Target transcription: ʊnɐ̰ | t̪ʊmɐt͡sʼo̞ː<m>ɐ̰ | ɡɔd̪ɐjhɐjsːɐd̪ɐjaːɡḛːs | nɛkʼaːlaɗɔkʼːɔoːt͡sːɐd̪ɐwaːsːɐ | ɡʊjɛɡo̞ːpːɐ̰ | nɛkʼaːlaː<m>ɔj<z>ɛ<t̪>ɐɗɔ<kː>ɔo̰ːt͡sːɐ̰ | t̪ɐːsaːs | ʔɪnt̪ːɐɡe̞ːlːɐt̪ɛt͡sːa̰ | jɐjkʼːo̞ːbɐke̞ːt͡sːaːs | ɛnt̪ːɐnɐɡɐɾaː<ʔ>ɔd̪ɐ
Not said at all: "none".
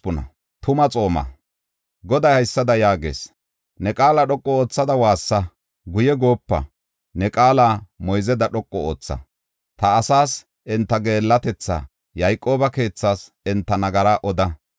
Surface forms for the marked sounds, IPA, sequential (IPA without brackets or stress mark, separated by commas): m, m, z, d̪, kʼː, ʔ